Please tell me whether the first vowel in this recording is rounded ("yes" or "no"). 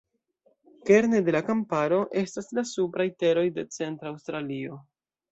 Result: no